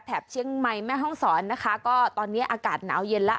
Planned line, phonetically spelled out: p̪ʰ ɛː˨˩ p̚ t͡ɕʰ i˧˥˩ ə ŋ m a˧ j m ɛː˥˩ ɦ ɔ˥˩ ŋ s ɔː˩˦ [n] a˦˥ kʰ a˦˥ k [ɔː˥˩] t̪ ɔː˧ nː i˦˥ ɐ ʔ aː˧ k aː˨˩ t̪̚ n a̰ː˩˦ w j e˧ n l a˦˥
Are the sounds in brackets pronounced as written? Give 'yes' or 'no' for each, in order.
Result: no, yes

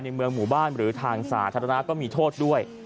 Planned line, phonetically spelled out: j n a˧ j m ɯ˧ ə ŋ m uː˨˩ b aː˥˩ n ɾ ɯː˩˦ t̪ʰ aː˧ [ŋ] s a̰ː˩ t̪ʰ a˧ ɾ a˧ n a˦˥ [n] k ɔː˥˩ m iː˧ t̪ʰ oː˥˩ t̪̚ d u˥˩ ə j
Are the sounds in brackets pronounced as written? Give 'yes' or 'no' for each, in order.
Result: yes, no

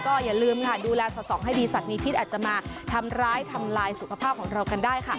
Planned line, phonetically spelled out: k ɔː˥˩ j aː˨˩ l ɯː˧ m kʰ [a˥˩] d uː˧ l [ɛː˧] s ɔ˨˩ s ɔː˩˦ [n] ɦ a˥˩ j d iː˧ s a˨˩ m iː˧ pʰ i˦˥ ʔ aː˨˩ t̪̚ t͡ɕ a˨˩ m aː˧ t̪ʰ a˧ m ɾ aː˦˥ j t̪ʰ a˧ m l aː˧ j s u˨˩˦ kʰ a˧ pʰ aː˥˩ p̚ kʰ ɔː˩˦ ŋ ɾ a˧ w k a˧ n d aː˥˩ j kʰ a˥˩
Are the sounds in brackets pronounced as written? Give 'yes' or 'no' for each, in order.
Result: yes, yes, no

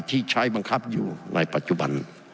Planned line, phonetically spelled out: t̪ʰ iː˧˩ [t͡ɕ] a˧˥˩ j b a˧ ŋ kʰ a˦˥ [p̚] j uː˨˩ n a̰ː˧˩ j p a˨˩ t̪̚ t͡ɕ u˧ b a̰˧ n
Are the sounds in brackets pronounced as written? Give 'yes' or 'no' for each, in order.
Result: no, yes

